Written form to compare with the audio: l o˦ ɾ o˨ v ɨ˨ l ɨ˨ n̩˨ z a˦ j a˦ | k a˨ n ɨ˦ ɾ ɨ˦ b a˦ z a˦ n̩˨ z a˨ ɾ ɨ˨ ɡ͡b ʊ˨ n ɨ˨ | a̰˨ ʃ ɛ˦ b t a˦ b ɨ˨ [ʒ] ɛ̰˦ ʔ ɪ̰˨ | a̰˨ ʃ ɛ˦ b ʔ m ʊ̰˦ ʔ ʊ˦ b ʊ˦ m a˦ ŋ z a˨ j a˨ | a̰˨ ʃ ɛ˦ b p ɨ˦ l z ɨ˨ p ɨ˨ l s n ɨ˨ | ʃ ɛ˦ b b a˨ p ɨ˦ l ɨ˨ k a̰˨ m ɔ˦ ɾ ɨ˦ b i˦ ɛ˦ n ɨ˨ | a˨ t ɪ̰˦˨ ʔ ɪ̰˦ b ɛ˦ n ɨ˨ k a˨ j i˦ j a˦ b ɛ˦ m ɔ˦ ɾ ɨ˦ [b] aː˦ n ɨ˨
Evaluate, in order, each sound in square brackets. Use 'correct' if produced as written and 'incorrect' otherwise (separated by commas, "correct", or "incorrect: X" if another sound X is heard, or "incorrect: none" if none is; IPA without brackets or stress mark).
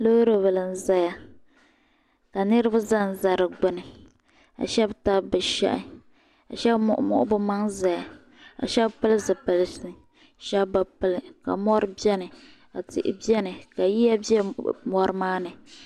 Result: incorrect: ʃ, incorrect: m